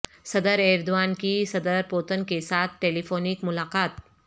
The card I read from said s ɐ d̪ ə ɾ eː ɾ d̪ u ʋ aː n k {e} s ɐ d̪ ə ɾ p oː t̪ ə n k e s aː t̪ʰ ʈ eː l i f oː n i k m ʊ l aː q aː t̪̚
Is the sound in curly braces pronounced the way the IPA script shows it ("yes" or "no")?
no